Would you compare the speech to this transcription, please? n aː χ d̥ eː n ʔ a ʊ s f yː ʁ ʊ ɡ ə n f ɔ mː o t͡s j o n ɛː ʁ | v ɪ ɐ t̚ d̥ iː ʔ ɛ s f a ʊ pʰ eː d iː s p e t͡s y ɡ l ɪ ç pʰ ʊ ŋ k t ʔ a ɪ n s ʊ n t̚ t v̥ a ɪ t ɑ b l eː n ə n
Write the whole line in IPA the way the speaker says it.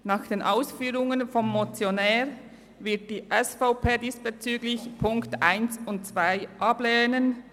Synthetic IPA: n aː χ d̥ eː n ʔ a ʊ s f yː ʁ ʊ ŋ ə n f ɔ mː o t͡s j o n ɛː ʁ | v ɪ ɐ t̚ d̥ iː ʔ ɛ s f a ʊ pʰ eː d iː s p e t͡s yː ɡ l ɪ ç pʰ ʊ ŋ k t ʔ a ɪ n s ʊ n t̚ t͡s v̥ a ɪ ʔ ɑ b l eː n ə n

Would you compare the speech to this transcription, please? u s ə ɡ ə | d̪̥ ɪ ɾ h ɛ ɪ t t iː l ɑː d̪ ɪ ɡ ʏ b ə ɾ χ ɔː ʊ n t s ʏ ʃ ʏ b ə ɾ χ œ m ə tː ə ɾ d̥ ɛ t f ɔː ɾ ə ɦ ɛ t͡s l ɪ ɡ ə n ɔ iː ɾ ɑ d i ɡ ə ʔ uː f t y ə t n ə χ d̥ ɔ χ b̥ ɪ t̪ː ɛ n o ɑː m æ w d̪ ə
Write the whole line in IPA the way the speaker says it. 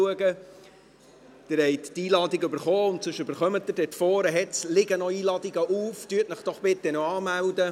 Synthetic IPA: u ə ɡ ə | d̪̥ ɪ ɾ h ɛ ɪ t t iː l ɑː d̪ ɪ ɡ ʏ b ə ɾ χ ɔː ʊ n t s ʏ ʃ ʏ b ə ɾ χ œ m ə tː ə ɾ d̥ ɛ t f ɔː ɾ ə ɦ ɛ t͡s l ɪ ɡ ə n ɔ iː l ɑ d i ɡ ə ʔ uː f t y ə t n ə χ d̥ ɔ χ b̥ ɪ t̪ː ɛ n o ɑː m æ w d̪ ə

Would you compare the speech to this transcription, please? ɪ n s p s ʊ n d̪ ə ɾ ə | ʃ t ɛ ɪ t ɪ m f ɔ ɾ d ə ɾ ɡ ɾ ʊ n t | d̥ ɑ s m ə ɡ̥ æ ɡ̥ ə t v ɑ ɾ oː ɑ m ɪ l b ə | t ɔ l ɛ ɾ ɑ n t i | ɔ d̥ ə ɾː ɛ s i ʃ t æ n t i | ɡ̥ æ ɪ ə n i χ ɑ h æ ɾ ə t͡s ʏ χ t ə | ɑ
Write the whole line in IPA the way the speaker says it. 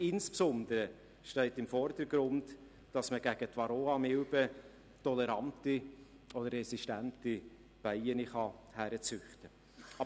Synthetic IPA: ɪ n s p s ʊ n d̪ ə ɾ ə | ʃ t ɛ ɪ t ɪ m f ɔ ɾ d ə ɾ ɡ ɾ ʊ n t | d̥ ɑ s m ə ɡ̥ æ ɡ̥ ə t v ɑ ɾ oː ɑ m ɪ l b ə | t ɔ l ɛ ɾ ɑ n t i | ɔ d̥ ə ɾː ɛ s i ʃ t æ n t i | b̥ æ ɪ ə n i χ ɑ h æ ɾ ə t͡s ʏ χ t ə | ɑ

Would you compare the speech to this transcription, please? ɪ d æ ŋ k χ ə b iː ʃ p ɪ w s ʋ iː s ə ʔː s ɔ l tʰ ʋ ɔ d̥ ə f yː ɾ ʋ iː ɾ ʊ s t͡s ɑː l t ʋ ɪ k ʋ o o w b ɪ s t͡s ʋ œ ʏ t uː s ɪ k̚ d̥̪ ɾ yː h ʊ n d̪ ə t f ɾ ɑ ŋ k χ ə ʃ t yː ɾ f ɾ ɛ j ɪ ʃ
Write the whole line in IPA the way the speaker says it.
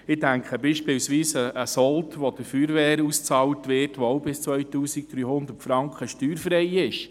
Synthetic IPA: ɪ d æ ŋ k χ ə b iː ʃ p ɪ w s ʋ iː s ə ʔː s ɔ l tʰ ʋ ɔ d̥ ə f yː ɾ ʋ ɛː ɾ u s t͡s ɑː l t ʋ ɪ t ʋ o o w b ɪ s t͡s ʋ œ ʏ t uː s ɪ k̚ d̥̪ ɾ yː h ʊ n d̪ ə t f ɾ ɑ ŋ k χ ə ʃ t yː ɾ f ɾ ɛ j ɪ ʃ

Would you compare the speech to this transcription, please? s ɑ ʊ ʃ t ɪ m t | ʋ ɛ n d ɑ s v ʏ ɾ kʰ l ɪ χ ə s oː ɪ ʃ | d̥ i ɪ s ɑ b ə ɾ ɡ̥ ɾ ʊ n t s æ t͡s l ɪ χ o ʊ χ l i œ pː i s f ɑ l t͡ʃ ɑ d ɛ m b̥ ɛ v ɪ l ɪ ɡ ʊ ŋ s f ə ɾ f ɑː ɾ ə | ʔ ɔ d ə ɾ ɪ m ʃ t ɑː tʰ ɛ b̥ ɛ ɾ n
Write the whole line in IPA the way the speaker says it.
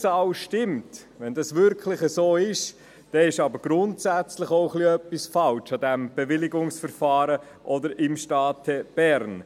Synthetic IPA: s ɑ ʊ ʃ t ɪ m t | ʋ ɛ n d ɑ s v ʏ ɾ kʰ l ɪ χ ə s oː ɪ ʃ | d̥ ɛ ɪ ʃ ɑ b ə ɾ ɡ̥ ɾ ʊ n t s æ t͡s l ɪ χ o ʊ χ l i œ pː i s f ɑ l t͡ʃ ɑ d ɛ m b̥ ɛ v ɪ l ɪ ɡ ʊ ŋ s f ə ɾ f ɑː ɾ ə | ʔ ɔ d ə ɾ ɪ m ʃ t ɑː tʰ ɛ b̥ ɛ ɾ n

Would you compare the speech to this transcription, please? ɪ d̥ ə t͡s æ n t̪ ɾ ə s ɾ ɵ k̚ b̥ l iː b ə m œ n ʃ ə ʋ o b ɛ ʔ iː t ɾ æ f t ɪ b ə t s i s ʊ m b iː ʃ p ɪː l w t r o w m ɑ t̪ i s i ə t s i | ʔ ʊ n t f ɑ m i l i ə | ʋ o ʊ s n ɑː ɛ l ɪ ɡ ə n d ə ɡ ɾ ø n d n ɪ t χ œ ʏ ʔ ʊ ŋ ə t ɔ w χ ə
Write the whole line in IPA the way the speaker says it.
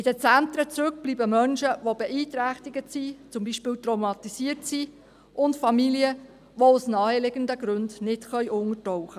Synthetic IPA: ɪ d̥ ə t͡s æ n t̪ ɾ ə t͡s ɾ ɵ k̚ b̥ l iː b ə m œ n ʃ ə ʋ o b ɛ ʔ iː t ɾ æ χ t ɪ ɡ ə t s i t͡s ʊ m b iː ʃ p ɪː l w t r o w m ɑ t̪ i s i ə t s i | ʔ ʊ n t f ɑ m i l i ə | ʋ o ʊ s n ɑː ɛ l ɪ ɡ ə n d ə ɡ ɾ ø n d n ɪ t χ œ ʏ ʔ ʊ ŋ ə t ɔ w χ ə

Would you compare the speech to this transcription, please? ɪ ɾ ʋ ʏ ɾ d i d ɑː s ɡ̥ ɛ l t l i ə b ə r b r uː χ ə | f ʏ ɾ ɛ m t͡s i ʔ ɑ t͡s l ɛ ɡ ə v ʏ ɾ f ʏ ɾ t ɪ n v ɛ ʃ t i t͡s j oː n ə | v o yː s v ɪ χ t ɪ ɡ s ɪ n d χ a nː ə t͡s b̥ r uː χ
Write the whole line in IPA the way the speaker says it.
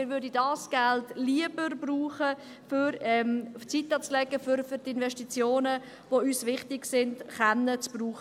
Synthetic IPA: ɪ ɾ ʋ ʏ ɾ d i d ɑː s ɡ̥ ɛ l t l i ə b ə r b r uː χ ə | f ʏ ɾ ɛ m t͡s i t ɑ t͡s l ɛ ɡ ə f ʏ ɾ f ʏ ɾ t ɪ n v ɛ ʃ t i t͡s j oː n ə | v o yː s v ɪ χ t ɪ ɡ s ɪ n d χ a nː ə t͡s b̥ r uː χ

